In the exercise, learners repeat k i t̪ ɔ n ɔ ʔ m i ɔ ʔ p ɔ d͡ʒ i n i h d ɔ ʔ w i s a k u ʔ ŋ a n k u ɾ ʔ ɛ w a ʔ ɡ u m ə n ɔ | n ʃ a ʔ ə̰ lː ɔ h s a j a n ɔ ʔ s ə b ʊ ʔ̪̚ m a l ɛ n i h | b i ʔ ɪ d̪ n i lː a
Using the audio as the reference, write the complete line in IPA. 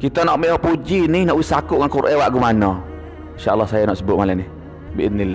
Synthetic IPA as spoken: k i t̪ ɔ n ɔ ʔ m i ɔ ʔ p u d͡ʒ i n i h n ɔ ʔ w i s a k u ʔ ŋ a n k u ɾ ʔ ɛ w a ʔ ɡ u m a n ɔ | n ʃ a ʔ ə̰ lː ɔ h s a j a n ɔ ʔ s ə b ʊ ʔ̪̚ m a l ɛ n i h | b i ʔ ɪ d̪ n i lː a